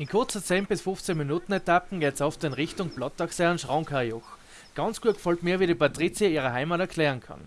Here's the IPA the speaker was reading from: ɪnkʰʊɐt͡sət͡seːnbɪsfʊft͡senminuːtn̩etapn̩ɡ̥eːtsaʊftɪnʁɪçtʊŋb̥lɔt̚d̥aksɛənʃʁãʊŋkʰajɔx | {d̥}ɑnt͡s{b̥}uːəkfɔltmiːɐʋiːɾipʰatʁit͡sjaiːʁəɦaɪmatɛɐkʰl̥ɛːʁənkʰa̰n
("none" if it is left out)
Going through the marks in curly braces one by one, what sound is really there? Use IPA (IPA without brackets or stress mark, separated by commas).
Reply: ɡ̥, ɡ̥